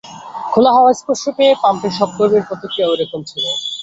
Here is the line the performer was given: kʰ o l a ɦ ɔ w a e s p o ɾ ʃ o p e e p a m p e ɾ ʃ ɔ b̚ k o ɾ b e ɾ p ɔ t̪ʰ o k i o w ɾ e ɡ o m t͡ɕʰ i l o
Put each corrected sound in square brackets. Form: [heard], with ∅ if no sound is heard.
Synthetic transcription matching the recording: kʰ o l a ɦ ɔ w a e s p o ɾ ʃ o p e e p a m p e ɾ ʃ ɔ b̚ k o ɾ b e ɾ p ɔ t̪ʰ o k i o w ɾ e [k] o m t͡ɕʰ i l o